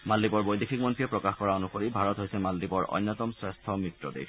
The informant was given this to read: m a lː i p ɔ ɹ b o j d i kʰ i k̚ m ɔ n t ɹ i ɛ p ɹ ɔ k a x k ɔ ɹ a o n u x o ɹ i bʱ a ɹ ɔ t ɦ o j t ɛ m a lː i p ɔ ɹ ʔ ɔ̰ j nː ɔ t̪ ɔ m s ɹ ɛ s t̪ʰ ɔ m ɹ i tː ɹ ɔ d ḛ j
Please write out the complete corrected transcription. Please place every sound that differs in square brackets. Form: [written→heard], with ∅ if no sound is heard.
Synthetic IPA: m a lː i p ɔ ɹ b o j d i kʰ i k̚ m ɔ n t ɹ i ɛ p ɹ ɔ k a x k ɔ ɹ a o n u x o ɹ i bʱ a ɹ ɔ t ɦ o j [t→s] ɛ m a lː i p ɔ ɹ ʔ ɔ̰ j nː ɔ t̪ ɔ m s ɹ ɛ s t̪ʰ ɔ m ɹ i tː ɹ ɔ d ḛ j